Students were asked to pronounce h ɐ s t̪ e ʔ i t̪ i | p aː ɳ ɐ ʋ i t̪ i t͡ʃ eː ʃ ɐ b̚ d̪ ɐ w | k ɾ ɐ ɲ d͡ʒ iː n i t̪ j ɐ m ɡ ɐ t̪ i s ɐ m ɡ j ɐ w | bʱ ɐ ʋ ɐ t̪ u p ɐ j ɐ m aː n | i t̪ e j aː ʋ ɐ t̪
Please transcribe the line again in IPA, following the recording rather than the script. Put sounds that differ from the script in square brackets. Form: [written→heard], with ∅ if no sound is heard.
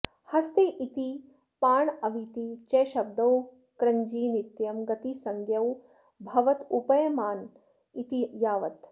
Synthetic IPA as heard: h ɐ s t̪ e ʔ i t̪ i | p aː ɳ ɐ ʋ i t̪ i t͡ʃ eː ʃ ɐ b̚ d̪ ɐ w | k ɾ ɐ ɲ d͡ʒ iː n i t̪ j ɐ m ɡ ɐ t̪ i s ɐ [m→ŋ] ɡ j ɐ w | bʱ ɐ ʋ ɐ t̪ u p ɐ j ɐ m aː n | i t̪ [e→i] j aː ʋ ɐ t̪